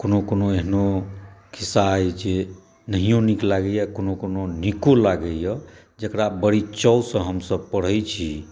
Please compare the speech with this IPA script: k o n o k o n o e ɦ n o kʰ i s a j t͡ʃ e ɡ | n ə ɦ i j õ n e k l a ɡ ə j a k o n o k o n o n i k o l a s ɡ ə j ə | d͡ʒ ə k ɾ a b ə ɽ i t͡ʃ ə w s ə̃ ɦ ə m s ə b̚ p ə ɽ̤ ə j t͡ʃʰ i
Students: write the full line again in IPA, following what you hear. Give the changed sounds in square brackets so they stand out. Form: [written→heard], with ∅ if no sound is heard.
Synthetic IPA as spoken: k o n o k o n o e ɦ n o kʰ i s a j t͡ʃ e [ɡ→∅] | n ə ɦ i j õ n [e→i] k l a ɡ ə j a k o n o k o n o n i k o l a [s→∅] ɡ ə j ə | d͡ʒ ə k ɾ a b ə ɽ i t͡ʃ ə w s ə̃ ɦ ə m s ə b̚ p ə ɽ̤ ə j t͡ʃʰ i